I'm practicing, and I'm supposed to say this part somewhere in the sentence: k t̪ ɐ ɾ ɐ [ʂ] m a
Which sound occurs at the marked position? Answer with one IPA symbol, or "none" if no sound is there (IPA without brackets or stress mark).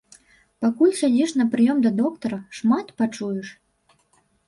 ʂ